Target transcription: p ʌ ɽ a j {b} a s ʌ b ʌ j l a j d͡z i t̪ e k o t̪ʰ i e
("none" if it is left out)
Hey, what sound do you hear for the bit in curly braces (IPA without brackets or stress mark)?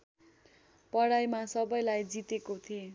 m